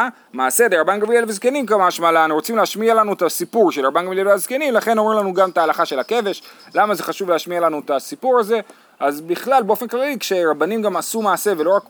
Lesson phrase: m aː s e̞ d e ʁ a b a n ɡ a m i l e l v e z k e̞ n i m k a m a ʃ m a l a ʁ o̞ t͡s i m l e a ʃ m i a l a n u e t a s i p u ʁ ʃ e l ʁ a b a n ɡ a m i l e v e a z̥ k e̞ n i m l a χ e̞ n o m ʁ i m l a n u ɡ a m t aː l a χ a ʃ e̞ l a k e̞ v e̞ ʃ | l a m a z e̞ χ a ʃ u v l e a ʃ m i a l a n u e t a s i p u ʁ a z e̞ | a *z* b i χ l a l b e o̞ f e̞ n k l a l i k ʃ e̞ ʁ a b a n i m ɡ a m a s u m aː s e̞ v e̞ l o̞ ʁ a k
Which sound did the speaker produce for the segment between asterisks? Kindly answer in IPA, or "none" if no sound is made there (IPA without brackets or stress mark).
z